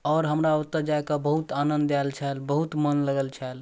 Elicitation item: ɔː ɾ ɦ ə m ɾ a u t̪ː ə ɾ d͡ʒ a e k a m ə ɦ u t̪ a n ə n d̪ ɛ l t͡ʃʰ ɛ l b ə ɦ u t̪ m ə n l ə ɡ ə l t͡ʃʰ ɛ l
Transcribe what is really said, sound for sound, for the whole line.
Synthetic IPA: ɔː ɾ ɦ ə m ɾ a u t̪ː ə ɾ d͡ʒ a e k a b ə ɦ u t̪ a n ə n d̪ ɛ l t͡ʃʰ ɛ l b ə ɦ u t̪ m ə n l ə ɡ ə l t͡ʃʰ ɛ l